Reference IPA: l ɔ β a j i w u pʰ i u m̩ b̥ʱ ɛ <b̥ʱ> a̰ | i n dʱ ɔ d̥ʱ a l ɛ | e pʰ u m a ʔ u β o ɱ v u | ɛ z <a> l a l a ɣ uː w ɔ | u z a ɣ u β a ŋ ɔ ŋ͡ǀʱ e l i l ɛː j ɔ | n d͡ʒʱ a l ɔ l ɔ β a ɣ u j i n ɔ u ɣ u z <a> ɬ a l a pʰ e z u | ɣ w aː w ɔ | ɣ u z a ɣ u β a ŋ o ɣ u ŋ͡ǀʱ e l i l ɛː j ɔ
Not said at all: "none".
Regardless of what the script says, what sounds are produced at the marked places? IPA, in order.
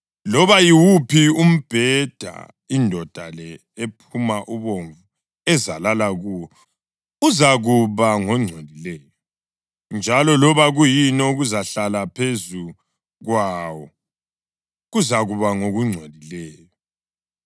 d̥ʱ, a, a

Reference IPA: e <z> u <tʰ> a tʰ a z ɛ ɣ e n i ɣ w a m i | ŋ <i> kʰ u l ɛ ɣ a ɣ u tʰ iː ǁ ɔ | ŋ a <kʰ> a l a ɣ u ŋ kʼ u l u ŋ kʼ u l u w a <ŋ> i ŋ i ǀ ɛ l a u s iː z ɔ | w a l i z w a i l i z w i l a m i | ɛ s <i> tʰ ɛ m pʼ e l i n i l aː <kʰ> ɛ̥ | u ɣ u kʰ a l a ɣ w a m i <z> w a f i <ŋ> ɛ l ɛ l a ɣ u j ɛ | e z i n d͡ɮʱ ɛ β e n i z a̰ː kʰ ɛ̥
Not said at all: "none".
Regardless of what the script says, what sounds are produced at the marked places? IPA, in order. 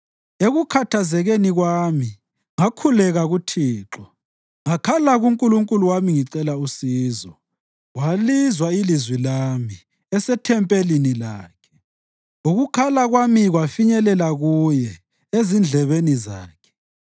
ɣ, kʰ, a, kʰ, m, ɛ, kʰ, ɣ, ɲ

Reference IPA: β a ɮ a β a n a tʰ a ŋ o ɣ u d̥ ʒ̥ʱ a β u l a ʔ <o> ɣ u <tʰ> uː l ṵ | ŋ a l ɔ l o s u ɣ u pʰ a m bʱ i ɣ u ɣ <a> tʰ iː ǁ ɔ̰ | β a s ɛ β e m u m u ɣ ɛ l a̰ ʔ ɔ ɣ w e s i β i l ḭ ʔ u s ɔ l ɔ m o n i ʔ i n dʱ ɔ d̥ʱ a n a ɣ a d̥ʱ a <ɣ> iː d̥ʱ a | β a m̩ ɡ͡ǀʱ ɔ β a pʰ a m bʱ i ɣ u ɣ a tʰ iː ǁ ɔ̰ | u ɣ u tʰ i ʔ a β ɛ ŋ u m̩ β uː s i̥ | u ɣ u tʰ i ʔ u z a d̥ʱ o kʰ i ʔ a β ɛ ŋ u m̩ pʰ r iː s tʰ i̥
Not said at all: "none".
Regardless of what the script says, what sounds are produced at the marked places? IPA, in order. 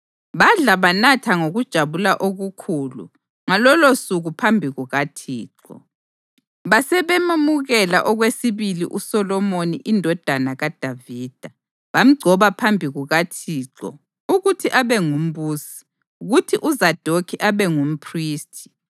o, kʰ, a, v

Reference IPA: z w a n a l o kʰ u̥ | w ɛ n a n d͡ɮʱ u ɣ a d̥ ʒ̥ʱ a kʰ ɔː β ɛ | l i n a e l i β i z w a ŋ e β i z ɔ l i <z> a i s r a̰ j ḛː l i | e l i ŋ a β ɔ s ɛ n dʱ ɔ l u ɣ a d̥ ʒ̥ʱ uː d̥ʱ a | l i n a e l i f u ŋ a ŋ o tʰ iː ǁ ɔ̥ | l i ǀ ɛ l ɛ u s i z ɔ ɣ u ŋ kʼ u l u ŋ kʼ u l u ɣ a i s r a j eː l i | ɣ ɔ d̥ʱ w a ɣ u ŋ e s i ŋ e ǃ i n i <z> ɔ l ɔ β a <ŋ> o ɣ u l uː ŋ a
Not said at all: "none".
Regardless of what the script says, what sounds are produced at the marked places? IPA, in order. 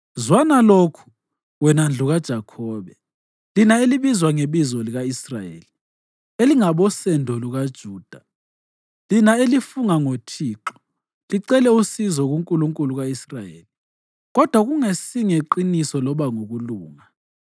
ɣ, s, ŋ

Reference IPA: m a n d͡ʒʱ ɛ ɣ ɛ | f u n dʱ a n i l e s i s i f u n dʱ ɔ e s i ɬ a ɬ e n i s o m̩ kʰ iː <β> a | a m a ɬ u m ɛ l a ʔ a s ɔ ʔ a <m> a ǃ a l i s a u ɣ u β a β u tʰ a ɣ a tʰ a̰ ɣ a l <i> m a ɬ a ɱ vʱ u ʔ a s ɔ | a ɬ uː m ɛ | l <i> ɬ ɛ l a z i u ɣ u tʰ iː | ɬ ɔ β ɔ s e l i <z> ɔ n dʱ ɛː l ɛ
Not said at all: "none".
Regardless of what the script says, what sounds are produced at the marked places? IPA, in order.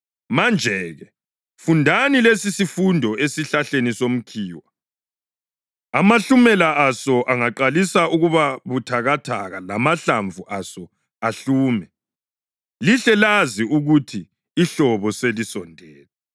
w, ŋ, a, i, s

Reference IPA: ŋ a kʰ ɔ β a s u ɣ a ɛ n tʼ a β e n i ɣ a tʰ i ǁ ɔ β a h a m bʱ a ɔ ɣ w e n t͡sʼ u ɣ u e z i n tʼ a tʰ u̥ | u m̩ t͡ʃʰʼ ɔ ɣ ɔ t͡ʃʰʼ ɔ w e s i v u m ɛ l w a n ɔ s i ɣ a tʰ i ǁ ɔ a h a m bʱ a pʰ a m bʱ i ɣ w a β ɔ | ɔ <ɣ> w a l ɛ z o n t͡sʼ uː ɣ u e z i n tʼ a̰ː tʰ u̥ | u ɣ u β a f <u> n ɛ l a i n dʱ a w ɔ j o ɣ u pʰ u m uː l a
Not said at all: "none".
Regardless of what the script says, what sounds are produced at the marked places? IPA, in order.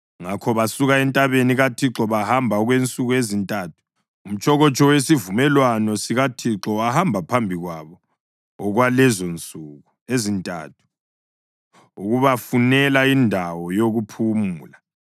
ɣ, u

